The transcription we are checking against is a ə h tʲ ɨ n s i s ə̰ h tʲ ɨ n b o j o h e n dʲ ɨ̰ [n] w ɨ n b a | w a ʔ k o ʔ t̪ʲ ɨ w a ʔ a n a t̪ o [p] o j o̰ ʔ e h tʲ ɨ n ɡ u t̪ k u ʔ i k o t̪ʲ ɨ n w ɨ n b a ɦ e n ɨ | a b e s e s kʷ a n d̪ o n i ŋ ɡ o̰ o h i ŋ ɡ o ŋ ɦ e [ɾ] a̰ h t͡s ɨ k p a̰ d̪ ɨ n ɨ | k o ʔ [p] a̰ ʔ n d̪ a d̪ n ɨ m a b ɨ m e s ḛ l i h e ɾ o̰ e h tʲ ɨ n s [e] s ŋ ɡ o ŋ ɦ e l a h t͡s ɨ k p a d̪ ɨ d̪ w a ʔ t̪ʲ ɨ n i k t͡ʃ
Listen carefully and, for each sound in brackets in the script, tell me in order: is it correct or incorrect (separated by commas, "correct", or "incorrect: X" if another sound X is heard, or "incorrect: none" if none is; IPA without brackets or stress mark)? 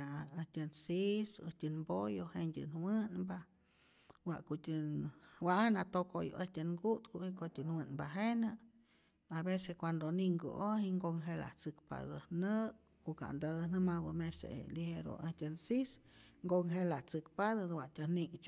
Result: correct, incorrect: k, incorrect: l, incorrect: k, incorrect: i